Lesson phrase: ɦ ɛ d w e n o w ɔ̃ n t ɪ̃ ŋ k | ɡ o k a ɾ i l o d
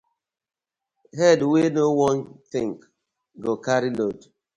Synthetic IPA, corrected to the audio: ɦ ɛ d w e n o w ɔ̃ n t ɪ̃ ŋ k | ɡ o k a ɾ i l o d